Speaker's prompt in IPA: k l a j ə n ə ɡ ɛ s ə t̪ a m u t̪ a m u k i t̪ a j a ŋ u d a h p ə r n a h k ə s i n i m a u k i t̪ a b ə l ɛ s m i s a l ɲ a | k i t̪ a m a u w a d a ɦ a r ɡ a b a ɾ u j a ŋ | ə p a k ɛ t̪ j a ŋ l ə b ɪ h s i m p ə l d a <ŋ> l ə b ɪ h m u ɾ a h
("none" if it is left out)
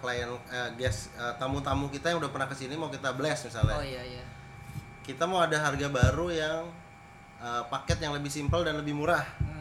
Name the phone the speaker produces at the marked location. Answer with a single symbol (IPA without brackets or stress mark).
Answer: n